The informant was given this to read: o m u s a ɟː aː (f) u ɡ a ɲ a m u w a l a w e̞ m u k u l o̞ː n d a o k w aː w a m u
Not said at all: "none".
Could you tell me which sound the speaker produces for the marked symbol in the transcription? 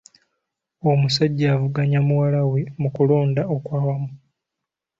v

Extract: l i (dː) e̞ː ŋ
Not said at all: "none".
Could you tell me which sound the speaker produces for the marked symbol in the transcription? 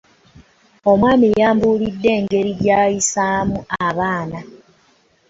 dː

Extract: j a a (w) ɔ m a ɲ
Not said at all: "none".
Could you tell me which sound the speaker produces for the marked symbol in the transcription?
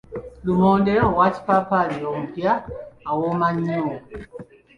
w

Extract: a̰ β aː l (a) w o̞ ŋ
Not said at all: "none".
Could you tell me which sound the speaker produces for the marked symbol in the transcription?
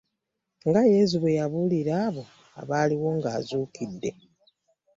i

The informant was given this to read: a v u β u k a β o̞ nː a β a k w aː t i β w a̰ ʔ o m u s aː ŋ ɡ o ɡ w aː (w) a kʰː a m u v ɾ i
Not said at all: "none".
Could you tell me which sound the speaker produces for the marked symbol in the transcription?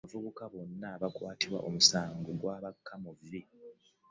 β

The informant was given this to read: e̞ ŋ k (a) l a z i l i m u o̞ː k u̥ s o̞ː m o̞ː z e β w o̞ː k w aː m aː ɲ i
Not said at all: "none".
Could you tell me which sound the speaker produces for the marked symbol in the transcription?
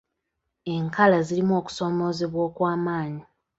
a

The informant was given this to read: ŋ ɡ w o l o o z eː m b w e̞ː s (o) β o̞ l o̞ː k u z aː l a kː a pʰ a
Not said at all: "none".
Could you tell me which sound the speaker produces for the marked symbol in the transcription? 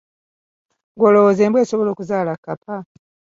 o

